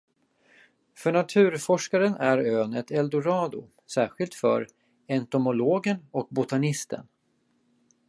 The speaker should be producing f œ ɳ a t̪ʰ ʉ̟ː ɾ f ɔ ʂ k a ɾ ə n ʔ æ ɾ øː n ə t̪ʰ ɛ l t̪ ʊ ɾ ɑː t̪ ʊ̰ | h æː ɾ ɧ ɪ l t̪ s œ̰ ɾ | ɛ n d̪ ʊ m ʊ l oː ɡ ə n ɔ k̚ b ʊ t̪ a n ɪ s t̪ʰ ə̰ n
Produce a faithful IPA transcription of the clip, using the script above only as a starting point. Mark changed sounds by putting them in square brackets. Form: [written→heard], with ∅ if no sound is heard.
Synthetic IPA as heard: f œ ɳ a t̪ʰ ʉ̟ː ɾ f ɔ ʂ k a ɾ ə n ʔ æ ɾ øː n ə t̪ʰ ɛ l [t̪→d̪] ʊ ɾ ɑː [t̪→d̪] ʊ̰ | [h→s] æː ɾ ɧ ɪ l t̪ [s→f] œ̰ ɾ | ɛ n [d̪→t̪] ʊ m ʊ l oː ɡ ə n ɔ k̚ b ʊ t̪ a n ɪ s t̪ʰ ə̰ n